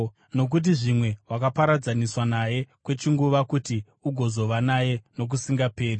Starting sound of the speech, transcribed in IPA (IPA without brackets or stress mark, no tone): n